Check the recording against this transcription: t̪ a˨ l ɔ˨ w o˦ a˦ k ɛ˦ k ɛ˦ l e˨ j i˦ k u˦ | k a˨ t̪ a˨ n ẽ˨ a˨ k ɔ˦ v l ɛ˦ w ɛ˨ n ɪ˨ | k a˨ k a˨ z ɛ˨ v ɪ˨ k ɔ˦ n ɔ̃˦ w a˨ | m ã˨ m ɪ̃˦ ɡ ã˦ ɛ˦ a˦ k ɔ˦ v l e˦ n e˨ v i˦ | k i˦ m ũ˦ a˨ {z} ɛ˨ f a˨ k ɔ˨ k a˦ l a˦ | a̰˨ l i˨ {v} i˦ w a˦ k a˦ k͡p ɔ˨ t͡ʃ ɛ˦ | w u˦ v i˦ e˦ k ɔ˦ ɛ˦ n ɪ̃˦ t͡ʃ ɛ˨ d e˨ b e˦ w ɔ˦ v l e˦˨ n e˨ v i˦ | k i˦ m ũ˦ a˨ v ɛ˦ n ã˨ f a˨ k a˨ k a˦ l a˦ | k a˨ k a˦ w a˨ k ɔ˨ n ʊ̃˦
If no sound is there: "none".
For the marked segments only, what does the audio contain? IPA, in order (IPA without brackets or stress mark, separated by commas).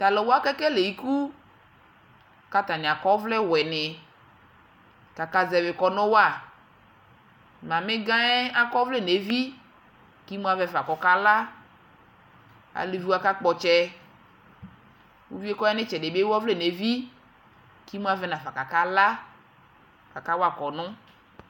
v, v